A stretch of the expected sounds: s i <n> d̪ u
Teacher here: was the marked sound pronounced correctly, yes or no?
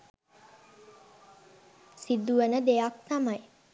no